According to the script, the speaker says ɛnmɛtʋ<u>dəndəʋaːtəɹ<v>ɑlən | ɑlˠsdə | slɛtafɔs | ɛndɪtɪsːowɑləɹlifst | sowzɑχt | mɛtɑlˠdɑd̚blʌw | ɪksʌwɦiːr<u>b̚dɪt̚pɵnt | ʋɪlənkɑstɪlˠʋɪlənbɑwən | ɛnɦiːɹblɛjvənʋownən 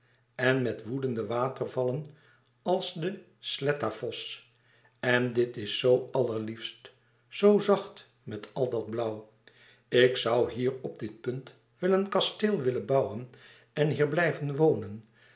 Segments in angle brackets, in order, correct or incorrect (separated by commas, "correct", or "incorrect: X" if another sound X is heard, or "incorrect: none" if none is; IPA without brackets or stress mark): correct, correct, incorrect: ɔ